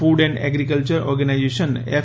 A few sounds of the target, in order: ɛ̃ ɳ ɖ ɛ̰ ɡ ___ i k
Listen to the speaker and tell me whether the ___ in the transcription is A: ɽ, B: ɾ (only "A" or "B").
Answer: B